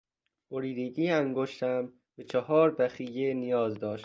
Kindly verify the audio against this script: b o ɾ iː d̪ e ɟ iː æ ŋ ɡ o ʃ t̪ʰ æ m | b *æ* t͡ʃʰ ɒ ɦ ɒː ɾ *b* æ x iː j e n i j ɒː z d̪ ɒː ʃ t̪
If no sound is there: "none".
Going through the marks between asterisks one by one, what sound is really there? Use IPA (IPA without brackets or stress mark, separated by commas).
e, b